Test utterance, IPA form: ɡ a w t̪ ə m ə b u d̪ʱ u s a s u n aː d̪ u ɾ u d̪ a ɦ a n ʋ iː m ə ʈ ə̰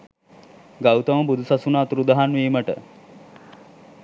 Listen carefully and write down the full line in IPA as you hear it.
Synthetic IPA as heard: ɡ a w t̪ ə m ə b u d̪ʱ u s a s u n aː t̪ u ɾ u d̪ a ɦ a n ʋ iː m ə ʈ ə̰